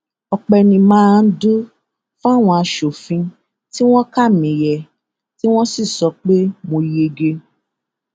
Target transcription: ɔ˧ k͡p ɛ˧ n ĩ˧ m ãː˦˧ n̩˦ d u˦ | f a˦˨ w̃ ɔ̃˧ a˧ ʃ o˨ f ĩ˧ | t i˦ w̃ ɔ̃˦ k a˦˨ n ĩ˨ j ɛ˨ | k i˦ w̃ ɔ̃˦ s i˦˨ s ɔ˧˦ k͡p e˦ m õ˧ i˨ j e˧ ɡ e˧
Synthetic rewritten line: ɔ˧ k͡p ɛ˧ n ĩ˧ m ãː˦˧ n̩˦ d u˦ | f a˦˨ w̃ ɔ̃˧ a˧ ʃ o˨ f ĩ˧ | t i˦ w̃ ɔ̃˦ k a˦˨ m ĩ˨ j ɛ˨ | t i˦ w̃ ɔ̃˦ s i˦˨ s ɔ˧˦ k͡p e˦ m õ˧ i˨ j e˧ ɡ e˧